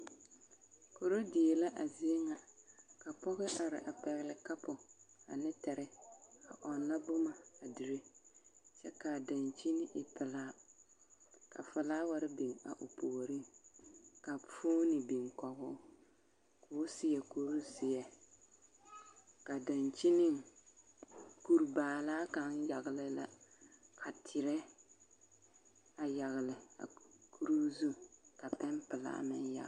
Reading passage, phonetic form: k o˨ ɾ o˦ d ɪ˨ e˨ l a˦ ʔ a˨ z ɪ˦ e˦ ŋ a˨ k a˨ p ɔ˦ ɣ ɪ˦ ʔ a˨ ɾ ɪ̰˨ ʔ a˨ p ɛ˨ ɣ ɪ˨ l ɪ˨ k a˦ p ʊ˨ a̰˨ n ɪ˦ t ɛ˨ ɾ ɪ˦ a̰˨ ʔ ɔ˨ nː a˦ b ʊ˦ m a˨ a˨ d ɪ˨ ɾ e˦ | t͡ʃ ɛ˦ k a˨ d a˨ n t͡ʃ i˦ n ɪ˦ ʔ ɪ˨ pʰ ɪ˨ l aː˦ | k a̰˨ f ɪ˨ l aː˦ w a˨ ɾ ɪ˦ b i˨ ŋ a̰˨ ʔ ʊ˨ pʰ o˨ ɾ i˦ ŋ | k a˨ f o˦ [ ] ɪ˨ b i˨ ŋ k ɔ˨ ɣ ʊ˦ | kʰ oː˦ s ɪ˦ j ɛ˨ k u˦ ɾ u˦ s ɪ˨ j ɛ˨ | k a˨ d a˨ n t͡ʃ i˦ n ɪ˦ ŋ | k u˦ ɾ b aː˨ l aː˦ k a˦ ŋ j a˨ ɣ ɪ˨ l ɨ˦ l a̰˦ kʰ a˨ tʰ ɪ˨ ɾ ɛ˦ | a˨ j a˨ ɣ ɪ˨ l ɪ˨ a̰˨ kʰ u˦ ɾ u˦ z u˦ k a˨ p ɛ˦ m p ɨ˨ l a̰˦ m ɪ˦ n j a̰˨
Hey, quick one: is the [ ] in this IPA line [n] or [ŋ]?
n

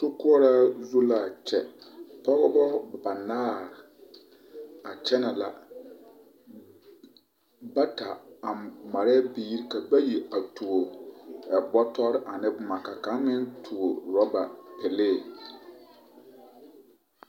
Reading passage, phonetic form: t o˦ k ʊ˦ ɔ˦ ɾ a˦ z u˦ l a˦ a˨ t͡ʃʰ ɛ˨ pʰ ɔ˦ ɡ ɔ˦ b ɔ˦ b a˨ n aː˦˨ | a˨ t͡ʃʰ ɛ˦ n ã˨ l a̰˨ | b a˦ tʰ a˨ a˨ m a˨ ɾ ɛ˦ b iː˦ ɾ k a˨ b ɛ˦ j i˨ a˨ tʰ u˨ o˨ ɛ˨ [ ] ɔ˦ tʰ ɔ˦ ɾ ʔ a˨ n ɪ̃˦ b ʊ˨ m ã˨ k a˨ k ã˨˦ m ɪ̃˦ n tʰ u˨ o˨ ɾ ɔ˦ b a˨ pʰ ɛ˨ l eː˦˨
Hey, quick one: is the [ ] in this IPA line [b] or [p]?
b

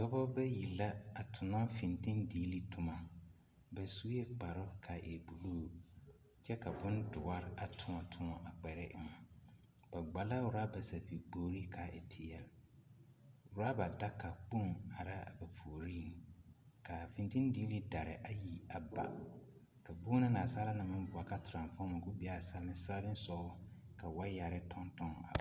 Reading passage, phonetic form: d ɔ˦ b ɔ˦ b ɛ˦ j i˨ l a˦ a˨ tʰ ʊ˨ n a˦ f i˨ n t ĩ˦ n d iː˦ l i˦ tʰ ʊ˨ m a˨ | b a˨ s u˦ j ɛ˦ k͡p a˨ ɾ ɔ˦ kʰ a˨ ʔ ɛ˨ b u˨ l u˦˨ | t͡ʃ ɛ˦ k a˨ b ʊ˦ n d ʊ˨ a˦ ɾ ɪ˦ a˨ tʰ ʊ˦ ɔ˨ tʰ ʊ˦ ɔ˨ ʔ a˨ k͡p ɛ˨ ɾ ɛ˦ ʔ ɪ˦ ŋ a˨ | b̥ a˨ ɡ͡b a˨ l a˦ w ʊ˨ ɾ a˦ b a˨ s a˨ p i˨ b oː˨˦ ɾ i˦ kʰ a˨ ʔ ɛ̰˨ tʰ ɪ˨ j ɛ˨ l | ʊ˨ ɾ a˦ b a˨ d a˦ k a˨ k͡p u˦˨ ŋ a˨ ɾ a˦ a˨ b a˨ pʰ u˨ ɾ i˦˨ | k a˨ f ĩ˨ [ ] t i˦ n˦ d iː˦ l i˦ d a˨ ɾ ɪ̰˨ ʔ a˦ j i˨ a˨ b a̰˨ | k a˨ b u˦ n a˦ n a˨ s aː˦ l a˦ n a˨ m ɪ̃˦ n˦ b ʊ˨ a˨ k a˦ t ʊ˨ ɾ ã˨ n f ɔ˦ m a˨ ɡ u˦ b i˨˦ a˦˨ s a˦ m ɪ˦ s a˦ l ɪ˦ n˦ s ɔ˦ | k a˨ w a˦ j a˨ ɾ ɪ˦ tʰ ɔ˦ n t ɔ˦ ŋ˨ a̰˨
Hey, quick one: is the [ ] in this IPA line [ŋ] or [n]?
n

